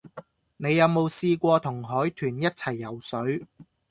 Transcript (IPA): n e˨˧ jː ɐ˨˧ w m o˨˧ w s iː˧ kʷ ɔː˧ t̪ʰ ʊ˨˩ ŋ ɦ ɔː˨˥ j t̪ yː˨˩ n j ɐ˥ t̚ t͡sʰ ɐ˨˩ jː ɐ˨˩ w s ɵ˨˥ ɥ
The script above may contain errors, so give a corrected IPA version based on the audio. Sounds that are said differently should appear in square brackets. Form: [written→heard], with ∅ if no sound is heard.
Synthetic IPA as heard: n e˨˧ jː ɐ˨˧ w m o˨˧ w s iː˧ kʷ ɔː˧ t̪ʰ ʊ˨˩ ŋ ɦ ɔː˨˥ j [t̪→t̪ʰ] yː˨˩ n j ɐ˥ t̚ t͡sʰ ɐ˨˩ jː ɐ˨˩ w s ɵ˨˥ ɥ